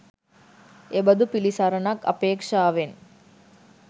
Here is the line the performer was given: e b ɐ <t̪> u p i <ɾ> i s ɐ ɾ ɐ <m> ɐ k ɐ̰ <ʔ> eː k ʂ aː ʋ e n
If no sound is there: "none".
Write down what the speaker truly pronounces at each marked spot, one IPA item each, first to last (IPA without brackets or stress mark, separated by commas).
d̪, l, n, p